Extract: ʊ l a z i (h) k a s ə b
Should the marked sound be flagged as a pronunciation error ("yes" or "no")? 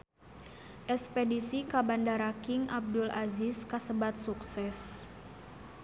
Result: yes